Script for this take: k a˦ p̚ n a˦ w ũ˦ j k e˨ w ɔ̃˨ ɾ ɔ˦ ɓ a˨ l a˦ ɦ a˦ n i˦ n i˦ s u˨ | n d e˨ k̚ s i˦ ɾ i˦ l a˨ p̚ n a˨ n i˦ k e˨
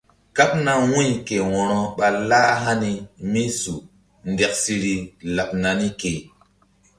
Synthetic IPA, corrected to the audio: k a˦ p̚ n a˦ w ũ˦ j k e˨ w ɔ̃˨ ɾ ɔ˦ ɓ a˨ l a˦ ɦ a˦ n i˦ m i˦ s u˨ | n d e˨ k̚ s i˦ ɾ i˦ l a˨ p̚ n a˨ n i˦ k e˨